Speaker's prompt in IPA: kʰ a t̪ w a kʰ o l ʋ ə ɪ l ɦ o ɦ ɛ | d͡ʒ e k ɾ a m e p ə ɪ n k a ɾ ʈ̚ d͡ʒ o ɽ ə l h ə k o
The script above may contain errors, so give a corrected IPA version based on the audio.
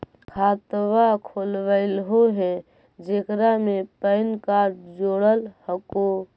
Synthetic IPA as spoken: kʰ a t̪ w a kʰ o l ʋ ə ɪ l ɦ o ɦ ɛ | d͡ʒ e k ɾ a m e p ə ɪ n k a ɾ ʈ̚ d͡ʒ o ɽ ə l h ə k o

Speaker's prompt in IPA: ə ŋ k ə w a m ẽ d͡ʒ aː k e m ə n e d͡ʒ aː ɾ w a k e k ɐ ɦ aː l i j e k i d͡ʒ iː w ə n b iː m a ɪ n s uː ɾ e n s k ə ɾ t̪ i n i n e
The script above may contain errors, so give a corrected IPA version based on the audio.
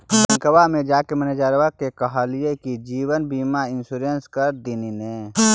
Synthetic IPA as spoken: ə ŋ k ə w a m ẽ d͡ʒ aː k e m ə n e d͡ʒ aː ɾ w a k e k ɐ ɦ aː l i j e k i d͡ʒ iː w ə n b iː m a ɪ n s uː ɾ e n s k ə ɾ d̪ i n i n e

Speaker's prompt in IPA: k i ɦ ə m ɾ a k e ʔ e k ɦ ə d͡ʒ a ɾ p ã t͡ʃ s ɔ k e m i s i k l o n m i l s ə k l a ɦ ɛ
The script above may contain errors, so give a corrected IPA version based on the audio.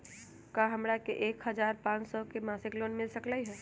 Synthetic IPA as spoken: k a ɦ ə m ɾ a k e ʔ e k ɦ ə d͡ʒ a ɾ p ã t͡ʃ s ɔ k e m a s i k l o n m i l s ə k l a ɦ ɛ

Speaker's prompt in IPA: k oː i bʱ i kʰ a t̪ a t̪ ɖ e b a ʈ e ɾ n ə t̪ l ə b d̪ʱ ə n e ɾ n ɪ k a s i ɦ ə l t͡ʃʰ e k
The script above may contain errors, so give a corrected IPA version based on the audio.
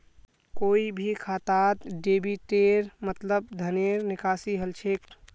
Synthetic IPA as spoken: k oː i bʱ i kʰ a t̪ a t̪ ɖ e b i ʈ e ɾ m ə t̪ l ə b d̪ʱ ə n e ɾ n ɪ k a s i ɦ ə l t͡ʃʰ e k

